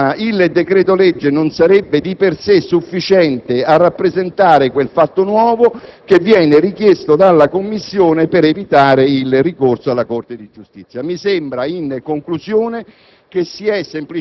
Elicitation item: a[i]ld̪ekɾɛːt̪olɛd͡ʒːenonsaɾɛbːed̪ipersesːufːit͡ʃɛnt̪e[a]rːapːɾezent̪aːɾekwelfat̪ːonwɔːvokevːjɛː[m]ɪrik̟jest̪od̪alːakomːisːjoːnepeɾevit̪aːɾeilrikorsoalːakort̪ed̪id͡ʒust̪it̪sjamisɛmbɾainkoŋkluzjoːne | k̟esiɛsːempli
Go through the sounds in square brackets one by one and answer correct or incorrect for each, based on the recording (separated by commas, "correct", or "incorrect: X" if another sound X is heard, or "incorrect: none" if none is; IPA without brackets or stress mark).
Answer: correct, correct, incorrect: n